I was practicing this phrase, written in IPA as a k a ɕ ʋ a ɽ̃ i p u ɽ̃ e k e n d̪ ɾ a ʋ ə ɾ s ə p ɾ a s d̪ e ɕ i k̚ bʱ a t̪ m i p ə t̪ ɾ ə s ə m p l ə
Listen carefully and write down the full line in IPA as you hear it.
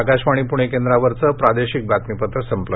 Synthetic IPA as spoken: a k a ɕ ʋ a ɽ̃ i p u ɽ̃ e k e n d̪ ɾ a ʋ ə ɾ t͡s ə p ɾ a d̪ e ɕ i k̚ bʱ a t̪ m i p ə t̪ ɾ ə s ə m p l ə